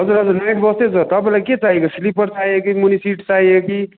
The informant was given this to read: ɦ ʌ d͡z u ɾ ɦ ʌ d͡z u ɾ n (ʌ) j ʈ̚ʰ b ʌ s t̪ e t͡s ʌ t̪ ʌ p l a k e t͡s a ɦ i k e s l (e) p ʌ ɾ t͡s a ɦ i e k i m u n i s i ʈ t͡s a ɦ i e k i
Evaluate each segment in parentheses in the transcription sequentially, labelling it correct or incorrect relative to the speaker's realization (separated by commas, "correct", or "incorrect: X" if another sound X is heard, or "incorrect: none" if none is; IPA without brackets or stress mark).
incorrect: a, incorrect: i